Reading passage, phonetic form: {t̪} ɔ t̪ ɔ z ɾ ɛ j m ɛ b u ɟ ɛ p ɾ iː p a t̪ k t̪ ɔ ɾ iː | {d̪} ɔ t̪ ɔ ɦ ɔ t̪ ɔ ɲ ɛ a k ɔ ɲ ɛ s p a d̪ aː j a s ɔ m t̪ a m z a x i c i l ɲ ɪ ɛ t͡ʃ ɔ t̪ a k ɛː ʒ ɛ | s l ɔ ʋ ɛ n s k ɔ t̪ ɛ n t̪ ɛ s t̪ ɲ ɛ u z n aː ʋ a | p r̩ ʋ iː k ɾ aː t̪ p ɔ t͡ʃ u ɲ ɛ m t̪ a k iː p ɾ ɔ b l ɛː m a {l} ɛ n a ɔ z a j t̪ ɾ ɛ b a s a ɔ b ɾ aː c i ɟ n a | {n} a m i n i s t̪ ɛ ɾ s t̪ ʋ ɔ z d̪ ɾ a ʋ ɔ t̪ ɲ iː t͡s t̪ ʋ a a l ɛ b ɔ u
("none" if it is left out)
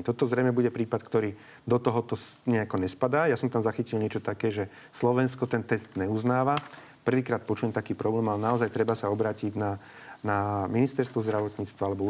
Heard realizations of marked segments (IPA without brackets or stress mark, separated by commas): t̪, d̪, l, n